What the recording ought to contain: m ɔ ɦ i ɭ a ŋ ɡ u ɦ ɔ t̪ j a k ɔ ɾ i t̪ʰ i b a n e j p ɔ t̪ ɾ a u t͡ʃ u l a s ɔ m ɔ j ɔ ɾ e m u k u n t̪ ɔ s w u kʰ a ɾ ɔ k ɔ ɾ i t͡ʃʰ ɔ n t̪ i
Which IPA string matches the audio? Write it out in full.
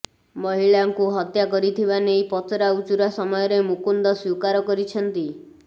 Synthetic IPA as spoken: m ɔ ɦ i ɭ a ŋ k u ɦ ɔ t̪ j a k ɔ ɾ i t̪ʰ i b a n e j p ɔ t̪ ɾ a u t͡ʃ u ɾ a s ɔ m ɔ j ɔ ɾ e m u k u n d̪ ɔ s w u k a ɾ ɔ k ɔ ɾ i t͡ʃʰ ɔ n t̪ i